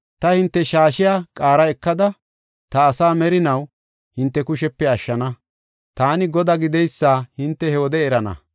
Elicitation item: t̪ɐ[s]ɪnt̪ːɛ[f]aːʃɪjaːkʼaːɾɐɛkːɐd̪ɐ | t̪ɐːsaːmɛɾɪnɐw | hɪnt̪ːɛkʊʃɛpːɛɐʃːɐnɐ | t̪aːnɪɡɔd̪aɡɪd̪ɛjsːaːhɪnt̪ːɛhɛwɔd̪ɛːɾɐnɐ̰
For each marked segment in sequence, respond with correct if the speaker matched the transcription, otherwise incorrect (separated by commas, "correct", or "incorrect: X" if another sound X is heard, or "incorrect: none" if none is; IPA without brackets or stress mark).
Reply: incorrect: h, incorrect: ʃ